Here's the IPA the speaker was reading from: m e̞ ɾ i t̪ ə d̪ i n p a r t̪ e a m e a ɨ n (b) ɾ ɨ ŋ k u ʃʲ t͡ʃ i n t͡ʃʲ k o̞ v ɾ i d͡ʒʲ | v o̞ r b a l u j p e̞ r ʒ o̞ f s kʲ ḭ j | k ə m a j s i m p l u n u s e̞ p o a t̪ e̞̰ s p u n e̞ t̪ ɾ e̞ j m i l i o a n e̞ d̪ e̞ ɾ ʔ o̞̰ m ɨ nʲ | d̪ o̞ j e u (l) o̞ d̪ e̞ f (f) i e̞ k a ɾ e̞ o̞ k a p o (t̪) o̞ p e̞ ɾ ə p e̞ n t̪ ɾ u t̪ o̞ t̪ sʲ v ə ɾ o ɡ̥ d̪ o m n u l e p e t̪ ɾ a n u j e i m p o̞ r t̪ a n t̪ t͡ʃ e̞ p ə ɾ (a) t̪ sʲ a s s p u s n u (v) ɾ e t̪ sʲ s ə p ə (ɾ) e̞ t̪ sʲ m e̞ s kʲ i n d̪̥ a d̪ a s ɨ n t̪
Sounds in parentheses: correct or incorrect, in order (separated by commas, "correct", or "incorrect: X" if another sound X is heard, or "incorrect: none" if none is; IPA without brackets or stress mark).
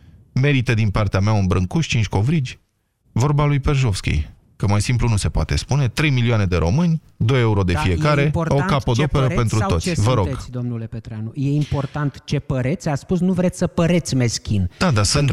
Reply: correct, incorrect: ɾ, correct, incorrect: d̪, incorrect: e, correct, correct